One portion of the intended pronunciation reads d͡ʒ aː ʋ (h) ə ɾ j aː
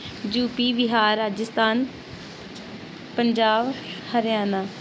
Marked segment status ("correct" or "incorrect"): correct